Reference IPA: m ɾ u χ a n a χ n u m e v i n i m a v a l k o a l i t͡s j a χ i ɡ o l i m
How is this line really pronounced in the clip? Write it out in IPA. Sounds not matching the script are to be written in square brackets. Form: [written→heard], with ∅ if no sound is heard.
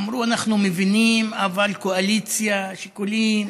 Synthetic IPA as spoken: m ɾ u [χ→∅] a n a χ n u m e v i n i m a v a l k o a l i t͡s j a [χ→ʃ] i [ɡ→k] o l i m